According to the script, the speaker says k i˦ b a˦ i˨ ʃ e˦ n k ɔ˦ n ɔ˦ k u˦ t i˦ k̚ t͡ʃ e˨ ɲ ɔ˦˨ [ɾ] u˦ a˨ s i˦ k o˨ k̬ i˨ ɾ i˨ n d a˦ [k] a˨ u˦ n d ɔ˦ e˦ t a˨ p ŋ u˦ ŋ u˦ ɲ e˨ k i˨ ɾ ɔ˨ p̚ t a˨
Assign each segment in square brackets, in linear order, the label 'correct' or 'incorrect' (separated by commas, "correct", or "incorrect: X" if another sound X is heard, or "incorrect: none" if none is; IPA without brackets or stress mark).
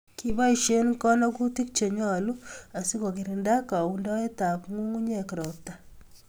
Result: incorrect: l, correct